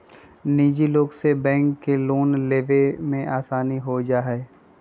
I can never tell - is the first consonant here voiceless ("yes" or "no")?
no